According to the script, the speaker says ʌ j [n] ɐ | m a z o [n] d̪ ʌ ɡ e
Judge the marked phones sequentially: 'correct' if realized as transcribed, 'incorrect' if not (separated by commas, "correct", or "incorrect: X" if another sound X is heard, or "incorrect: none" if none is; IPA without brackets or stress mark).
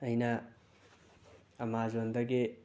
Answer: correct, correct